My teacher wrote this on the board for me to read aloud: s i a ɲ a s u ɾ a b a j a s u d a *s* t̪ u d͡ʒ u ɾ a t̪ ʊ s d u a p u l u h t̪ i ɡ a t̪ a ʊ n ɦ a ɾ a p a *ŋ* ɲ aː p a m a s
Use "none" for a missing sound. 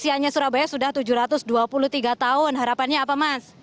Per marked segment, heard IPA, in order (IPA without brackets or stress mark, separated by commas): h, n